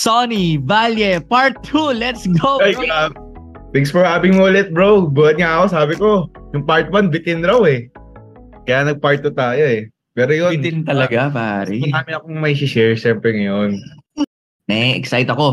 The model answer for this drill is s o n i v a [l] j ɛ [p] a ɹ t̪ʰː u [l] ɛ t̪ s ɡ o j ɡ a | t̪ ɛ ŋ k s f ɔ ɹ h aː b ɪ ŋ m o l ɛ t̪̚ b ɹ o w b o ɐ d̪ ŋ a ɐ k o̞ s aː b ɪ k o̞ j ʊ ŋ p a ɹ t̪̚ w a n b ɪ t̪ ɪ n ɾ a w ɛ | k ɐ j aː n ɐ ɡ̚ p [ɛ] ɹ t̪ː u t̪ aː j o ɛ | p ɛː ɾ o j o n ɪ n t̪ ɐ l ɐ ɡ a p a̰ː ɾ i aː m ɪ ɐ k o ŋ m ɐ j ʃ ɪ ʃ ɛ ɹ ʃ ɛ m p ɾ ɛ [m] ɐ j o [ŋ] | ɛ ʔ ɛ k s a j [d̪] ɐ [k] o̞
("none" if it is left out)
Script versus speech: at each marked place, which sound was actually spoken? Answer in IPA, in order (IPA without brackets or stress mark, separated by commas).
l, p, l, a, ŋ, n, t̪, k